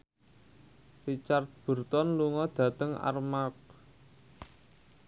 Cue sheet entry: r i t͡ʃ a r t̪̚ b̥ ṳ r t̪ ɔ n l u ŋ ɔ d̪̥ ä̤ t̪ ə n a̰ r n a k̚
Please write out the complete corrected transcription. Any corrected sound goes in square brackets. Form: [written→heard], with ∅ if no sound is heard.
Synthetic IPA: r i t͡ʃ a r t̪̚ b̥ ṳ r t̪ ɔ n l u ŋ ɔ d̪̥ ä̤ t̪ ə [n→ŋ] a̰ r [n→m] a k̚